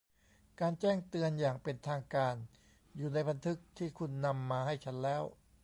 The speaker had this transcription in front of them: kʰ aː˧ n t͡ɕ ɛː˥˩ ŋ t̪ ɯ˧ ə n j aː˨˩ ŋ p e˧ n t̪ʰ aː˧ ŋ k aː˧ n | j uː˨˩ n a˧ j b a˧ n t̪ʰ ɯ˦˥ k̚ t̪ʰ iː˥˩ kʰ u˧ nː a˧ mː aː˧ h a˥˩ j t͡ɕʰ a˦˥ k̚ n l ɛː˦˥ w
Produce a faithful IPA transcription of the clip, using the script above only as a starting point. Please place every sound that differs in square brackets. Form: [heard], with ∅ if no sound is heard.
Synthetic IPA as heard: [k] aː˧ n t͡ɕ ɛː˥˩ ŋ t̪ ɯ˧ ə n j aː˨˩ ŋ p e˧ n t̪ʰ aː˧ ŋ k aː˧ n | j uː˨˩ n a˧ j b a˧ n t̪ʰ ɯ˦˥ k̚ t̪ʰ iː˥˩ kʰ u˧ nː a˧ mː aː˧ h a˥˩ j t͡ɕʰ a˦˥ [∅] n l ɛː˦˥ w